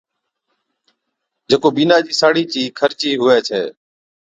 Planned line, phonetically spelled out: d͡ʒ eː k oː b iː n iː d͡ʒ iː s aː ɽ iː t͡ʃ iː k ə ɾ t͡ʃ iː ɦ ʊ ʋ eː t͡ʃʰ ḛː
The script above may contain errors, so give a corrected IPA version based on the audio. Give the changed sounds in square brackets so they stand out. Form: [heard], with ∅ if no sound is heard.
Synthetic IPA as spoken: d͡ʒ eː k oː b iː n [aː] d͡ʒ iː s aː ɽ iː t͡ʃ iː [kʰ] ə ɾ t͡ʃ iː ɦ ʊ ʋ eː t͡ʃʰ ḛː